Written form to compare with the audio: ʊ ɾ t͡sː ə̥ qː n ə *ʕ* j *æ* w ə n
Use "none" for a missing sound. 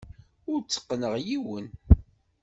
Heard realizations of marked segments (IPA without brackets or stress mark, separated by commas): ʁ, i